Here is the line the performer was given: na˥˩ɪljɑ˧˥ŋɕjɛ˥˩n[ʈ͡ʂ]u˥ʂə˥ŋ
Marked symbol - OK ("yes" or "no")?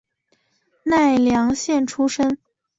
no